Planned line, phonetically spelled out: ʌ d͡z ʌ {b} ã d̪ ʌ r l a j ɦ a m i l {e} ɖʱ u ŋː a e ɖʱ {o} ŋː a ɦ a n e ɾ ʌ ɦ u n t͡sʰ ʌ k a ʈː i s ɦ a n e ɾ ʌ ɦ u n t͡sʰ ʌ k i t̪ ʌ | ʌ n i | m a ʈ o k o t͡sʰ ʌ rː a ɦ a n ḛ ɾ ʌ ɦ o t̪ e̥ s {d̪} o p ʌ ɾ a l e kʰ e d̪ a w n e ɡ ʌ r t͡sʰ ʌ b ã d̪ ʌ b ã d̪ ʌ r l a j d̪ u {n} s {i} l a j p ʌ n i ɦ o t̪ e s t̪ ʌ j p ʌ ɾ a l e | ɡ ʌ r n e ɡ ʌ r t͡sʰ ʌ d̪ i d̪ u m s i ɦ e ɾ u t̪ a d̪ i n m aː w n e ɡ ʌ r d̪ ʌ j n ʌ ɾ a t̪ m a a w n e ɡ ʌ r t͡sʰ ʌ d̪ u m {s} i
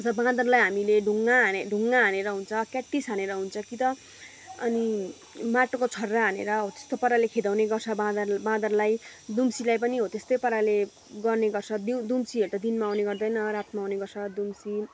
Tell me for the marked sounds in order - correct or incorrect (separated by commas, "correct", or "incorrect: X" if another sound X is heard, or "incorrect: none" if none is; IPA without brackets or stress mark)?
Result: correct, correct, incorrect: u, incorrect: t̪, incorrect: m, correct, correct